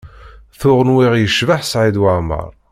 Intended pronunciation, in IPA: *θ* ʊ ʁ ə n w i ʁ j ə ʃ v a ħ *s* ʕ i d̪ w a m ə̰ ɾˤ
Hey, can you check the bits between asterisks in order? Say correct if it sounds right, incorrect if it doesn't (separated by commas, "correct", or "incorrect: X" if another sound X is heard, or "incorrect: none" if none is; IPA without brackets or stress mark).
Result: correct, correct